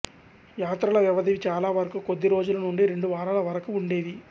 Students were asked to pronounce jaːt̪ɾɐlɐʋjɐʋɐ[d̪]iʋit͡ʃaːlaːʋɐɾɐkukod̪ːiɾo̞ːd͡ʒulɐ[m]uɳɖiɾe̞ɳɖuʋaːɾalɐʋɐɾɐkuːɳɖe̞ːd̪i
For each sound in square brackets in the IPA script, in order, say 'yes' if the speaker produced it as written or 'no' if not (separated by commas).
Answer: yes, no